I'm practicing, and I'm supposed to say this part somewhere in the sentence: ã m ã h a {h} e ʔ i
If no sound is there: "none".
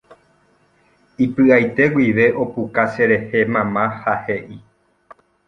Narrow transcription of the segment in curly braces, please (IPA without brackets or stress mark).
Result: h